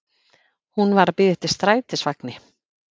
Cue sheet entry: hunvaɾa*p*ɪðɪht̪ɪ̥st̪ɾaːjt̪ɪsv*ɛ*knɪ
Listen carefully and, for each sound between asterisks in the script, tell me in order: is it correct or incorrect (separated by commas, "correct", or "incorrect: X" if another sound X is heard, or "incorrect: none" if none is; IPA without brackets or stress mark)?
correct, incorrect: a